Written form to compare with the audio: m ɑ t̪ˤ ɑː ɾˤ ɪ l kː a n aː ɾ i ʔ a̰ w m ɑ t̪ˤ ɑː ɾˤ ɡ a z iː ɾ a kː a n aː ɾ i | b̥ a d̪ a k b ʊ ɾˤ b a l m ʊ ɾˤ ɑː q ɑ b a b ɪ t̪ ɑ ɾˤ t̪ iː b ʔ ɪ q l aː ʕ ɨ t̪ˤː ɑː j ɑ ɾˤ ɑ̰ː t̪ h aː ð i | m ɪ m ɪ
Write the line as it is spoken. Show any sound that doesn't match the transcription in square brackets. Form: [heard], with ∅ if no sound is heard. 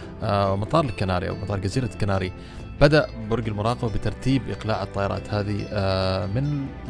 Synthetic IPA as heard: m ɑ t̪ˤ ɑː ɾˤ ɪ l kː a n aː ɾ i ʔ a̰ w m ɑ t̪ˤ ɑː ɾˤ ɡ a z iː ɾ a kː a n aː ɾ i | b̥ a d̪ a [ʔ] b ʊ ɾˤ [ɡ] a l m ʊ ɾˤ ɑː q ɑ b a b ɪ t̪ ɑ ɾˤ t̪ iː b ʔ ɪ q l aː ʕ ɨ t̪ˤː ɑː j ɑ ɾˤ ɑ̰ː t̪ h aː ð i | m ɪ [n] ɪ